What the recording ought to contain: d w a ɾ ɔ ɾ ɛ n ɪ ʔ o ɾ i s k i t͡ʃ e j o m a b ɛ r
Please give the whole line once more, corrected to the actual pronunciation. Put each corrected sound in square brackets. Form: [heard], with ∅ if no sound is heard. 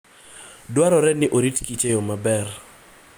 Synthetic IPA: d w a ɾ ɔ ɾ ɛ n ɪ ʔ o ɾ i [t] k i t͡ʃ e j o m a b ɛ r